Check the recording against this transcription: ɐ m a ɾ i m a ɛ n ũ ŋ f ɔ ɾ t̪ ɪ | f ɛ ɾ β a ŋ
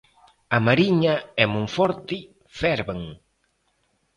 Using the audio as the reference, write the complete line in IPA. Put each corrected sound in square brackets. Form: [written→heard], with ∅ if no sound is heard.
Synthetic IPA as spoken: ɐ m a ɾ i [m→ɲ] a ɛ [n→m] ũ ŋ f ɔ ɾ t̪ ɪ | f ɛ ɾ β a ŋ

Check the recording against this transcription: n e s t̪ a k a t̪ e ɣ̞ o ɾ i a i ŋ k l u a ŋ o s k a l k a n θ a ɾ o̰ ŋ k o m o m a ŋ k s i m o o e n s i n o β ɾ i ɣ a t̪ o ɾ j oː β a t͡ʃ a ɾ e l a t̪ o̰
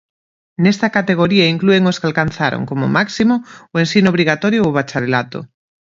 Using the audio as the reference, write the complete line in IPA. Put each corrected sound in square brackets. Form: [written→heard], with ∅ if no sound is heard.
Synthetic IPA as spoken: n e s t̪ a k a t̪ e ɣ̞ o ɾ i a i ŋ k l u [a→e] ŋ o s k a l k a n θ a ɾ o̰ ŋ k o m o m a [ŋ→∅] k s i m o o e n s i n o β ɾ i ɣ a t̪ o ɾ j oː β a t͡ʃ a ɾ e l a t̪ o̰

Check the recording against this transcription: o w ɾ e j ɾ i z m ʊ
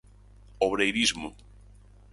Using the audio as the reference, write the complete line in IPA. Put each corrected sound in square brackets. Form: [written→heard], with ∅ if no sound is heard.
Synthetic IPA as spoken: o [w→β] ɾ e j ɾ i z m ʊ

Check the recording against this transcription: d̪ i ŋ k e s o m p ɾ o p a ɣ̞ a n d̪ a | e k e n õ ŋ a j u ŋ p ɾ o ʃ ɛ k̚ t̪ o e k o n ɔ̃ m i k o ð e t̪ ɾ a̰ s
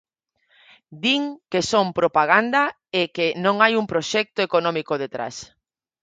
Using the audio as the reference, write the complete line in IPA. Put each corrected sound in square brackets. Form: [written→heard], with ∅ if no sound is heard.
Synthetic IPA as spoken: d̪ i ŋ k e s o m p ɾ o p a ɣ̞ a n d̪ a | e k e n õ ŋ a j u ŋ p ɾ o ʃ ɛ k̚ t̪ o e k o n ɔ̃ m i k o ð e t̪ ɾ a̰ s

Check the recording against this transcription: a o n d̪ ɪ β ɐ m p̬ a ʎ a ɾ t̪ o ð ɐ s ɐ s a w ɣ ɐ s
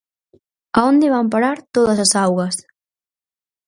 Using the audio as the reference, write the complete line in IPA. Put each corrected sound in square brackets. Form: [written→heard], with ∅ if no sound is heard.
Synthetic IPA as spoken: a o n d̪ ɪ β [ɐ→a] m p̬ a [ʎ→ɾ] a ɾ t̪ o ð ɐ s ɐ s a w ɣ ɐ s

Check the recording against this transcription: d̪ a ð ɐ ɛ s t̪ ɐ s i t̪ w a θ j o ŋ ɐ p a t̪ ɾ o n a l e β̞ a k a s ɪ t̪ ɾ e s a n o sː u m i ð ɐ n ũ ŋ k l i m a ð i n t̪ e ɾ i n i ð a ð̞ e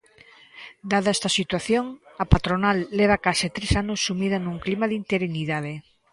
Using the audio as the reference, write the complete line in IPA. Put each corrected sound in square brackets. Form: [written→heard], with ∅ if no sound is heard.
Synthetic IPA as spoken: d̪ a ð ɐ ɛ s t̪ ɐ s i t̪ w a θ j o ŋ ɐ p a t̪ ɾ o n a [l→lː] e β̞ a k a s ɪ t̪ ɾ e s a n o sː u m i ð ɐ n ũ ŋ k l i m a ð i n t̪ e ɾ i n i ð a ð̞ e

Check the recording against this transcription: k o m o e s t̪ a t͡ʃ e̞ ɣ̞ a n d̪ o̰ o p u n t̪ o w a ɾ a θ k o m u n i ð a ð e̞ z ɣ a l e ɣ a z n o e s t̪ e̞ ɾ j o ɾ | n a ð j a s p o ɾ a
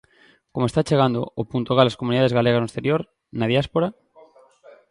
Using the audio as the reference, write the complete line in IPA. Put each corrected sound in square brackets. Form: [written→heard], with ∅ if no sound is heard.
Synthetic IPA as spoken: k o m o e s t̪ a t͡ʃ e̞ ɣ̞ a n d̪ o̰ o p u n t̪ o [w→ɣ] a [ɾ→l] a [θ→s] k o m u n i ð a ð e̞ z ɣ a l e ɣ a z n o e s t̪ e̞ ɾ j o ɾ | n a ð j a s p o ɾ a

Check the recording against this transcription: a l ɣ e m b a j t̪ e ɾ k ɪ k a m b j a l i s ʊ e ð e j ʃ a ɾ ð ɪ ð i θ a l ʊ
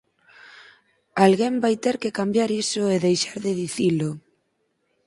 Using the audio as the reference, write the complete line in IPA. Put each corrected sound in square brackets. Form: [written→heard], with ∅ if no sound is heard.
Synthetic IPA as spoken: a l ɣ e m b a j t̪ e ɾ k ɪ k a m b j a [l→ɾ] i s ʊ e ð e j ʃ a ɾ ð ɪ ð i θ [a→i] l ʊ

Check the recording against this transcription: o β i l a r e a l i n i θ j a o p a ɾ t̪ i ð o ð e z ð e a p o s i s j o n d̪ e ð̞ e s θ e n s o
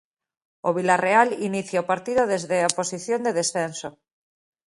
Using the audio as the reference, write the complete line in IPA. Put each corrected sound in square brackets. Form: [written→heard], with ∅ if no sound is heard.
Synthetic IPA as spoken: o β i l a r e a l i n i θ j a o p a ɾ t̪ i ð o ð e z ð e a p o s i [s→θ] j o n d̪ e ð̞ e s θ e n s o

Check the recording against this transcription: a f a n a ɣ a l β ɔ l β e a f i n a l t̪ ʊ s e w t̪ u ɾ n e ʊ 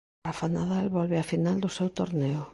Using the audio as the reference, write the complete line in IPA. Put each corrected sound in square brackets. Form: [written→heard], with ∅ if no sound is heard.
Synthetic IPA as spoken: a f a n a [ɣ→ð] a l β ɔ l β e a f i n a l [t̪→d̪] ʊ s e w t̪ [u→o] ɾ n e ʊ

